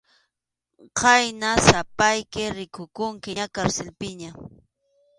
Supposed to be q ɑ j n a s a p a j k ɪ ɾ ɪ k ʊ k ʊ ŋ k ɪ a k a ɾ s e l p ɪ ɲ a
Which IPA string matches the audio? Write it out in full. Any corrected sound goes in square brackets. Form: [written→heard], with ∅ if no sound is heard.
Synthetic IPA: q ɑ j n a s a p a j k ɪ ɾ ɪ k ʊ k ʊ ŋ k ɪ a k a ɾ s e l p ɪ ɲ a